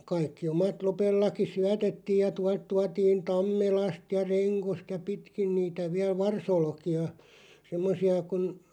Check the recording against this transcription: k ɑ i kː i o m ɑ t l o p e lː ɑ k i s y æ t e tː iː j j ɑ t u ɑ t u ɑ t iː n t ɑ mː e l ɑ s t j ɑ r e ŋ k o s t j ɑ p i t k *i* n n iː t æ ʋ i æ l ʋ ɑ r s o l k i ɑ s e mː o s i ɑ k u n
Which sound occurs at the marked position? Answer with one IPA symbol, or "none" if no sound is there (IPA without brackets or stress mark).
i